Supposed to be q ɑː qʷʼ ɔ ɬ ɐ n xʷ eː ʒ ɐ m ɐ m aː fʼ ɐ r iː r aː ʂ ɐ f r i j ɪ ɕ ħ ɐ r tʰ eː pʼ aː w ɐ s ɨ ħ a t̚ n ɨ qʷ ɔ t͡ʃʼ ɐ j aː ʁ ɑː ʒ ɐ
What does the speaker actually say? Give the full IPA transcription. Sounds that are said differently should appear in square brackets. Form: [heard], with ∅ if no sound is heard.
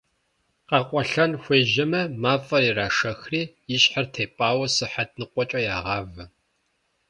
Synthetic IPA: q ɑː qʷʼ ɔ ɬ ɐ n xʷ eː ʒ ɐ m ɐ m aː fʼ ɐ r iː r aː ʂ ɐ [x] r [iː] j ɪ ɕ ħ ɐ r tʰ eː pʼ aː w ɐ s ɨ ħ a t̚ n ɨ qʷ ɔ t͡ʃʼ ɐ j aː ʁ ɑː [v] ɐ